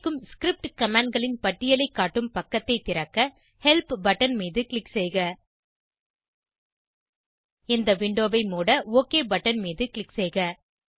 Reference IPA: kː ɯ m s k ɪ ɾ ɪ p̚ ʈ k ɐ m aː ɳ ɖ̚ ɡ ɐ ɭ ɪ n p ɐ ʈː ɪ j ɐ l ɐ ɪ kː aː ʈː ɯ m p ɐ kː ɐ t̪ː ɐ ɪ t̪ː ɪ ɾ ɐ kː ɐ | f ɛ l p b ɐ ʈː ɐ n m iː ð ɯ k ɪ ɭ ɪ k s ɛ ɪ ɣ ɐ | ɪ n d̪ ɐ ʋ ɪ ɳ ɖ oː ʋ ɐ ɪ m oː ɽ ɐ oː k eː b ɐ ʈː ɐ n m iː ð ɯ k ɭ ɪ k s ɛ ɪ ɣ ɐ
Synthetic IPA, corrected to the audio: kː ɯ m s k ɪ ɾ ɪ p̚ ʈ k ɐ m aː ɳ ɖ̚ ɡ ɐ ɭ ɪ n p ɐ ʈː ɪ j ɐ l ɐ ɪ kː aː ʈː ɯ m p ɐ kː ɐ t̪ː ɐ ɪ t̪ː ɪ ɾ ɐ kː ɐ | h ɛ l p b ɐ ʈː ɐ n m iː ð ɯ k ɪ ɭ ɪ k s ɛ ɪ ɣ ɐ | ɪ n d̪ ɐ ʋ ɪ ɳ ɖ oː ʋ ɐ ɪ m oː ɽ ɐ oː k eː b ɐ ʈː ɐ n m iː ð ɯ k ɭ ɪ k s ɛ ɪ ɣ ɐ